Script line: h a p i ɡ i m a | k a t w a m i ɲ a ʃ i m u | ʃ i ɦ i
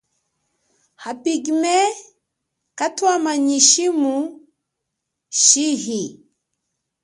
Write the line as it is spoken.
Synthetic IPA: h a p i ɡ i m ɛ | k a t w a m a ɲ i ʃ i m u | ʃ i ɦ i